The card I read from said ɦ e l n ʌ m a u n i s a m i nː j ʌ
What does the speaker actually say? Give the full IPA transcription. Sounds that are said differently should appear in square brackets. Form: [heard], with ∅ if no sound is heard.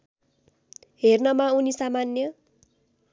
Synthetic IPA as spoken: ɦ e [r] n ʌ m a u n i s a m [a] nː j ʌ